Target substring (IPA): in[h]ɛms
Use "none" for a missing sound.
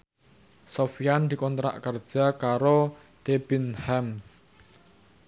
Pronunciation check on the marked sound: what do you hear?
h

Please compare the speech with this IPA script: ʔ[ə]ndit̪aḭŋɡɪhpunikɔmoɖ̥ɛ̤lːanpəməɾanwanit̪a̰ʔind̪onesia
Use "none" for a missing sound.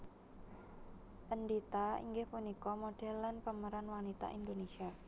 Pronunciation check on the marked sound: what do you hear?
ə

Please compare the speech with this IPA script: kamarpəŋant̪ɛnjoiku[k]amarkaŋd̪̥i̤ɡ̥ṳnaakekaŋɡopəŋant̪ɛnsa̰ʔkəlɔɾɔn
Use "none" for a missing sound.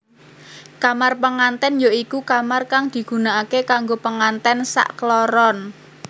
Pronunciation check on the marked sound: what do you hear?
k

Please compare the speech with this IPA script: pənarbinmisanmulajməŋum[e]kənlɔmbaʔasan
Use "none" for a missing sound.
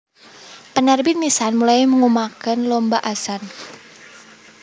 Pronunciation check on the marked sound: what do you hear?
a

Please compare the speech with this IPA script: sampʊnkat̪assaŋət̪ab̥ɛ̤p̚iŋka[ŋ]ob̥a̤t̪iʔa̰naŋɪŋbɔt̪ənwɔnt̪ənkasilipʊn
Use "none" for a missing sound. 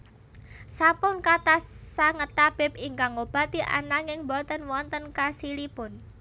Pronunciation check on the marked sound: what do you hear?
ŋ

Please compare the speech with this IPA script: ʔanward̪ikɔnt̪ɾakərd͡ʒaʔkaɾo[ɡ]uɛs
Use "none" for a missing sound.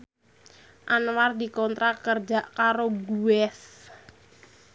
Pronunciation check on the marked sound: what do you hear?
ɡ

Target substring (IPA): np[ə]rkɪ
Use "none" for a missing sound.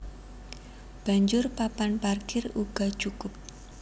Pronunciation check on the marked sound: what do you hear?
a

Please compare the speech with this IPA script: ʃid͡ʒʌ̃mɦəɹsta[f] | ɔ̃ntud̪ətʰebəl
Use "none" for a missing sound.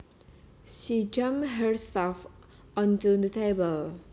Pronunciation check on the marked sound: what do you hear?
f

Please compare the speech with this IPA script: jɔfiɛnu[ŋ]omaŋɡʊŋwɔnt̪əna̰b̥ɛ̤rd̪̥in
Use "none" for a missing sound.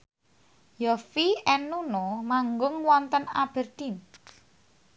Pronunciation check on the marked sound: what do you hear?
n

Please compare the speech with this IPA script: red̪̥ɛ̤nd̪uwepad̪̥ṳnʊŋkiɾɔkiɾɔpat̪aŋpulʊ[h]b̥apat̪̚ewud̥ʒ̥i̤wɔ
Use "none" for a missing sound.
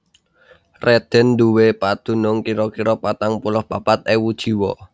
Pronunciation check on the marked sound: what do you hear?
h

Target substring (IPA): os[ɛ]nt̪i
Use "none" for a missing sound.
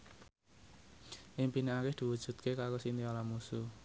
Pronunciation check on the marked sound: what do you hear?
i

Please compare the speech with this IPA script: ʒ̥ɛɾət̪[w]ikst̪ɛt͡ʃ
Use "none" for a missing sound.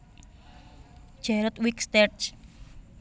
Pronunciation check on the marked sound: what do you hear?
w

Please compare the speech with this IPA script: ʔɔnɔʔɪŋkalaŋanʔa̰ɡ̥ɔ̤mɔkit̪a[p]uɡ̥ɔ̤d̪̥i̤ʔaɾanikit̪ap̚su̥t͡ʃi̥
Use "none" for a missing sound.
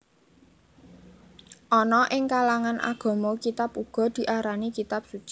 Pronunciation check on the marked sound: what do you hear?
p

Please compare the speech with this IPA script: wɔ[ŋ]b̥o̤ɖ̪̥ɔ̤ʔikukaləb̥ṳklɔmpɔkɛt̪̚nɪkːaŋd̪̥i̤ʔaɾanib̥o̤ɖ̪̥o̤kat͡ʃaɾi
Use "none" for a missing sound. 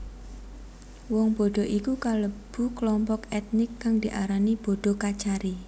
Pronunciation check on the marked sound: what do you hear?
ŋ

